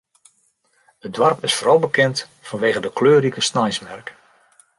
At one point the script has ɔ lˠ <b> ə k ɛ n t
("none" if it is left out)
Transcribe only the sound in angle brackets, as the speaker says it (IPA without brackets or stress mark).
b